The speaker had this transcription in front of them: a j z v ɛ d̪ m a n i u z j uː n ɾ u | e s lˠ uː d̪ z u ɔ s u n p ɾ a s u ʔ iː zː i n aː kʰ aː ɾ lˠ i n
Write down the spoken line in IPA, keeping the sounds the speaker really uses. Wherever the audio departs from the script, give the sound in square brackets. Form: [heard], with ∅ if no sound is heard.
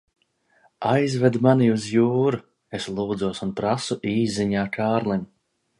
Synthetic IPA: a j z v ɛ d̪ m a n i u z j uː [∅] ɾ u | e s lˠ uː d̪ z u ɔ s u n p ɾ a s u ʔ iː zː i [ɲ] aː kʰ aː ɾ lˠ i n